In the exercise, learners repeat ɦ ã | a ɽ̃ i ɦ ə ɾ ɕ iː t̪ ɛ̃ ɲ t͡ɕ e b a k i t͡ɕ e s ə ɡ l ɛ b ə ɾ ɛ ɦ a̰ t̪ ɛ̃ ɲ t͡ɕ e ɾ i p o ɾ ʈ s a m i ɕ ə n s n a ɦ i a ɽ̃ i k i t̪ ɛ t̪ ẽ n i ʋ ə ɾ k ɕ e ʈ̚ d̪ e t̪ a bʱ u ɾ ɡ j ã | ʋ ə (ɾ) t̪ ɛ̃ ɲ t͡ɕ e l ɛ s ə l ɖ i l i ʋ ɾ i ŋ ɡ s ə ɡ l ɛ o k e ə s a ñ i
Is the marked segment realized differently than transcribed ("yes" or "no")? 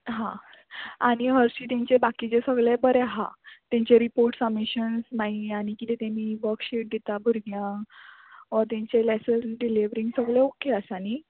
no